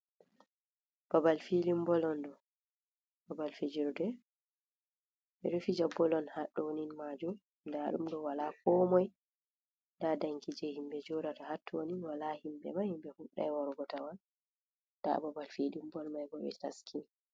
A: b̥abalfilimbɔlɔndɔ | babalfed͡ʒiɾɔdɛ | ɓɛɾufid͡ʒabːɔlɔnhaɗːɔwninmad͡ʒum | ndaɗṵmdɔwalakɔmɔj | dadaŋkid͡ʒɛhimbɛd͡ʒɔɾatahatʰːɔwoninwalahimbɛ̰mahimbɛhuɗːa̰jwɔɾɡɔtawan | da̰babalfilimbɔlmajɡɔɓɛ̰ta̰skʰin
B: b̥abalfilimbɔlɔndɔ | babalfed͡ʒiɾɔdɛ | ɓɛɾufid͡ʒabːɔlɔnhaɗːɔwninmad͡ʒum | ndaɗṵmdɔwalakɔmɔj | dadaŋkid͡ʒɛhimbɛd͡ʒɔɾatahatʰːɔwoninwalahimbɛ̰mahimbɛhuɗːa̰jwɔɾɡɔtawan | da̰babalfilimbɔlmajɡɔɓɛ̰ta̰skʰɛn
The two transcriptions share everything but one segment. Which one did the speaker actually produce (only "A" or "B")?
A